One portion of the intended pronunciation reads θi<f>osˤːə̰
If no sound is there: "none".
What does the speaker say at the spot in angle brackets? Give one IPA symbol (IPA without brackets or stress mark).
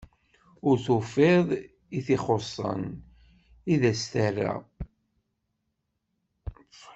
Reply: χ